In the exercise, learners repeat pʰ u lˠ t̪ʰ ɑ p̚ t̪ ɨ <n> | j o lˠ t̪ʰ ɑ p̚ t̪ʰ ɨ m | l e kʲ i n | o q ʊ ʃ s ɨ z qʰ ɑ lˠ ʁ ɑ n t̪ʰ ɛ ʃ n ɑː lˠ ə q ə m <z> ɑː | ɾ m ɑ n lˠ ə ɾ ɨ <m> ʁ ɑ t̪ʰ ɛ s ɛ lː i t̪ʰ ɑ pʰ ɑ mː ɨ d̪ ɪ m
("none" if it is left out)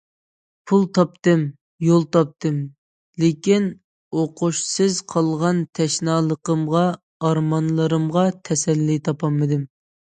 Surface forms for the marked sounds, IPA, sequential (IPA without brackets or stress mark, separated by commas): m, ʁ, m